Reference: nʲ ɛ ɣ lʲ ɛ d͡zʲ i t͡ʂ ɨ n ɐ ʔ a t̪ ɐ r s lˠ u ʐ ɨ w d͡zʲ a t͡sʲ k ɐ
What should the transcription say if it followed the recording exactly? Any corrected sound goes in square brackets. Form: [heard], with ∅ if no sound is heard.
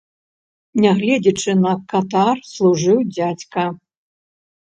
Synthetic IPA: nʲ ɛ ɣ lʲ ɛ d͡zʲ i t͡ʂ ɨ n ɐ [k] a t̪ [a] r s lˠ u ʐ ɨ w d͡zʲ a t͡sʲ k ɐ

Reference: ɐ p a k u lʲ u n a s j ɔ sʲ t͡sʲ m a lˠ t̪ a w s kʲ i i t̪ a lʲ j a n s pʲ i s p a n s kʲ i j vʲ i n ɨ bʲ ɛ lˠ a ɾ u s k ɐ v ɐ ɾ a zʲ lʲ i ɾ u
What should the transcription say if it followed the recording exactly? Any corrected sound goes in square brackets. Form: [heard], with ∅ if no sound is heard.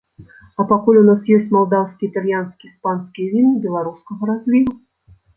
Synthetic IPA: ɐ p a k u lʲ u n a s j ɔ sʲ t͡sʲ m a lˠ [d̪] a w s kʲ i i t̪ a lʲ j a n s [kʲ] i s p a n s kʲ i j vʲ i n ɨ bʲ ɛ lˠ a ɾ u s k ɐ [ɣ] ɐ ɾ a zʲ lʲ i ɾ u

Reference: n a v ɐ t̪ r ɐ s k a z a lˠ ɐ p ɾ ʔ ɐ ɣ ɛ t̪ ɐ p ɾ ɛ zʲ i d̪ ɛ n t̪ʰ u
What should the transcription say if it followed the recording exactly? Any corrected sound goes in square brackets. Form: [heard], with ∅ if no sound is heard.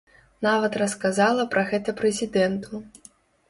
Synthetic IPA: n a v ɐ t̪ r ɐ s k a z a lˠ ɐ p ɾ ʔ ɐ ɣ ɛ t̪ ɐ p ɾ ɛ zʲ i d̪ ɛ n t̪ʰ u

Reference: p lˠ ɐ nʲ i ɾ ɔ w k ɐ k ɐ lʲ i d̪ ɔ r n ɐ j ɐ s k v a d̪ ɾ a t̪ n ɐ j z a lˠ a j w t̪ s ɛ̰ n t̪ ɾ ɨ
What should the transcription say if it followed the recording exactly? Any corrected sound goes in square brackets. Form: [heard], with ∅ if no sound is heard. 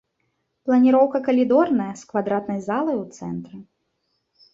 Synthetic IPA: p lˠ ɐ nʲ i ɾ ɔ w k ɐ k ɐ lʲ i d̪ ɔ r n ɐ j ɐ s k v a d̪ ɾ a t̪ n ɐ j z a lˠ [ɐ] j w t̪ s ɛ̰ n t̪ ɾ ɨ

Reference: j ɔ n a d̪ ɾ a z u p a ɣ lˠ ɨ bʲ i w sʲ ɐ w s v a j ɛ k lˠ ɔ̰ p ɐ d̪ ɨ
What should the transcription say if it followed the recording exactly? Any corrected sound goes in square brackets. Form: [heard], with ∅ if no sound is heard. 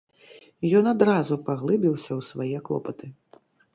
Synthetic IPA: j ɔ n a d̪ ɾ a z u p a ɣ lˠ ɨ bʲ i w sʲ ɐ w s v a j ɛ k lˠ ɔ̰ p ɐ [t̪] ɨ

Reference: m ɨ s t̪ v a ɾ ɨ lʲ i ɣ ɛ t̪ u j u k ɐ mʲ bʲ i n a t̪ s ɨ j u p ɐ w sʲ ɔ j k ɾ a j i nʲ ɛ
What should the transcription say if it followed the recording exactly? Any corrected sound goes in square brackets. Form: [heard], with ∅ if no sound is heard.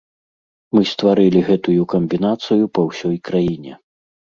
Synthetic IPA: m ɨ s t̪ v a ɾ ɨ lʲ i ɣ ɛ t̪ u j u k ɐ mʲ bʲ i n a t̪ s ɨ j u p ɐ w sʲ ɔ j k ɾ a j i nʲ ɛ

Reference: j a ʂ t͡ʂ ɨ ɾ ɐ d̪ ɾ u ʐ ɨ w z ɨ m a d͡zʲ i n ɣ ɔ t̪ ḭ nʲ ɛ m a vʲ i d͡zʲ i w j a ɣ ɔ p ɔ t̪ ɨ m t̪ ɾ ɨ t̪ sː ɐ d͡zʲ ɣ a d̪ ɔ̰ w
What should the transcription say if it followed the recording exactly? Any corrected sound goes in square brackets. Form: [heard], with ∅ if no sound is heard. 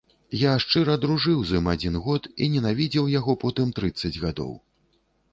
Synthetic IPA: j a ʂ t͡ʂ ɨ ɾ ɐ d̪ ɾ u ʐ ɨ w z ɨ m a d͡zʲ i n ɣ ɔ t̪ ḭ nʲ ɛ [n] a vʲ i d͡zʲ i w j a ɣ ɔ p ɔ t̪ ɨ m t̪ ɾ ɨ t̪ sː ɐ d͡zʲ ɣ a d̪ ɔ̰ w

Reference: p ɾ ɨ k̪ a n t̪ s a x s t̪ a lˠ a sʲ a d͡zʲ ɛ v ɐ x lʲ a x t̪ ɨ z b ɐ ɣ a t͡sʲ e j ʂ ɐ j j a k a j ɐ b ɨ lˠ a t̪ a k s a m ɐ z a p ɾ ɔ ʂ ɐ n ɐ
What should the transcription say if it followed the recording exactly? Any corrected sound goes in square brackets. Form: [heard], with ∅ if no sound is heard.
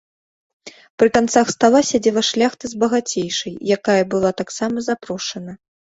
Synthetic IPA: p ɾ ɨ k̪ a n t̪ s a x s t̪ a lˠ a sʲ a d͡zʲ ɛ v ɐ [ʂ] lʲ a x t̪ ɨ z b ɐ ɣ a t͡sʲ e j ʂ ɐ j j a k a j ɐ b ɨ lˠ a t̪ a k s a m ɐ z a p ɾ ɔ ʂ ɐ n ɐ

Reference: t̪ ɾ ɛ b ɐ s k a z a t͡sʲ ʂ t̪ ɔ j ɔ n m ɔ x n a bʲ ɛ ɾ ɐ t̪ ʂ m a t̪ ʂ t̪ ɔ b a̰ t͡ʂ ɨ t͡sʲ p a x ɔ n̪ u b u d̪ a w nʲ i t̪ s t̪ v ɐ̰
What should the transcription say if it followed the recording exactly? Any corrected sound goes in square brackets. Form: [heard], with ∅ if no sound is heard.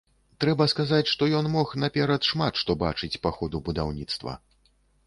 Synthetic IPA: t̪ ɾ ɛ b ɐ s k a z a t͡sʲ ʂ t̪ ɔ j ɔ n m ɔ x n a [pʲ] ɛ ɾ ɐ t̪ ʂ m a t̪ ʂ t̪ ɔ b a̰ t͡ʂ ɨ t͡sʲ p a x ɔ [d̪] u b u d̪ a w nʲ i t̪ s t̪ v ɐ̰

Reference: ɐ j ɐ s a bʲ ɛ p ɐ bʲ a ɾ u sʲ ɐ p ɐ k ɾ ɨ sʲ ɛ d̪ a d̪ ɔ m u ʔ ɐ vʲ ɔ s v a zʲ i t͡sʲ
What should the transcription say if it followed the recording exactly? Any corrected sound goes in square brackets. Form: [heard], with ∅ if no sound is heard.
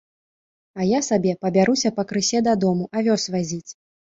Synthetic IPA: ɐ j [a] s a bʲ ɛ p ɐ bʲ a ɾ u sʲ ɐ p ɐ k ɾ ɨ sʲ ɛ d̪ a d̪ ɔ m u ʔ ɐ vʲ ɔ s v a zʲ i t͡sʲ

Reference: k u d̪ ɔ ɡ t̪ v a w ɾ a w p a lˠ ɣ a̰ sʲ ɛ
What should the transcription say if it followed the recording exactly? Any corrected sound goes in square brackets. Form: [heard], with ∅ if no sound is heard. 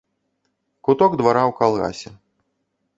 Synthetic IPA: k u [t̪] ɔ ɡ [d̪] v a [∅] ɾ a w [k] a lˠ ɣ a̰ sʲ ɛ

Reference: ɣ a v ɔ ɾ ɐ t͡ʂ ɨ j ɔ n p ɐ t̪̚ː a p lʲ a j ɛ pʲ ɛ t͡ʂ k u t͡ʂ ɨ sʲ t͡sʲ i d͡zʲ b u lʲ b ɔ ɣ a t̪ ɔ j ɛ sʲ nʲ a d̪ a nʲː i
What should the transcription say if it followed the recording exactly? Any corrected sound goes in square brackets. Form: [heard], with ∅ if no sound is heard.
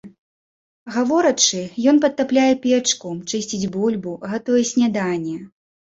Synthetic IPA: ɣ a v ɔ ɾ ɐ t͡ʂ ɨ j ɔ n p ɐ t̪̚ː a p lʲ a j ɛ pʲ ɛ t͡ʂ k u t͡ʂ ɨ sʲ t͡sʲ i d͡zʲ b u lʲ b [u] ɣ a t̪ ɔ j ɛ sʲ nʲ a d̪ a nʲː [ɛ]

